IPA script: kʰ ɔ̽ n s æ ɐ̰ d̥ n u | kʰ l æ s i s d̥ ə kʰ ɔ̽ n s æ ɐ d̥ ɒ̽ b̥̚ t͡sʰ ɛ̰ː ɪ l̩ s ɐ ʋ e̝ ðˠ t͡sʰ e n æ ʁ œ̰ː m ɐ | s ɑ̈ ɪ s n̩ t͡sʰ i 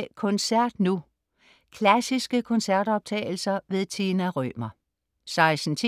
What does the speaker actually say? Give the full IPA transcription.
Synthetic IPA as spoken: kʰ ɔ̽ n s æ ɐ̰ d̥ n u | kʰ l æ s i s ɡ̥ ə kʰ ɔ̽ n s æ ɐ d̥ ɒ̽ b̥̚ t͡sʰ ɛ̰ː ɪ l̩ s ɐ ʋ e̝ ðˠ t͡sʰ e n æ ʁ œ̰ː m ɐ | s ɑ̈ ɪ s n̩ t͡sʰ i